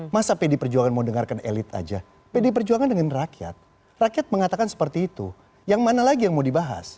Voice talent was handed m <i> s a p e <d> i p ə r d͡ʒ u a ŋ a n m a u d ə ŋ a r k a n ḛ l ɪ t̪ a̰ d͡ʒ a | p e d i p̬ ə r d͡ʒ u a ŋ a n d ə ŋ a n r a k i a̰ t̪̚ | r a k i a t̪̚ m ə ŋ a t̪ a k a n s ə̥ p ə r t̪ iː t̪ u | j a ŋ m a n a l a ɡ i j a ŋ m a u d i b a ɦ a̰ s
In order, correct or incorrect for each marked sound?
incorrect: a, correct

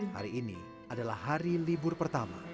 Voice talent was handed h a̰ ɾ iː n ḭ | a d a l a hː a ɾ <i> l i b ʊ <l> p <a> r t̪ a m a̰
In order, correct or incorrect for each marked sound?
correct, incorrect: r, incorrect: ə

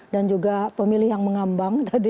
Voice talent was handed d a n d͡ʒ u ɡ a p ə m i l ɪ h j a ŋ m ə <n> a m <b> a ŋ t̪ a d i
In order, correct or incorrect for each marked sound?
incorrect: ŋ, correct

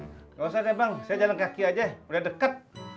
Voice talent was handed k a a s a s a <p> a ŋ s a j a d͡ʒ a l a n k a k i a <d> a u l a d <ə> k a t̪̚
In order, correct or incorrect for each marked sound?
incorrect: b, incorrect: d͡ʒ, correct

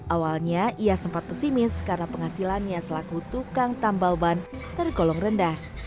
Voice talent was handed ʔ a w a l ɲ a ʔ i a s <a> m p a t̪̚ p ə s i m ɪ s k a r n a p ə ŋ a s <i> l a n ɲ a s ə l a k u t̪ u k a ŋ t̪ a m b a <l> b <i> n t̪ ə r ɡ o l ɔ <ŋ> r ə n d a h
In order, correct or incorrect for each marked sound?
incorrect: ə, correct, correct, incorrect: a, correct

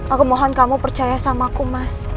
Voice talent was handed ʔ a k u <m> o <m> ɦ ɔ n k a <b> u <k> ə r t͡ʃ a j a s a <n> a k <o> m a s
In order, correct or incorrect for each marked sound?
correct, incorrect: none, incorrect: m, incorrect: p, incorrect: m, incorrect: u

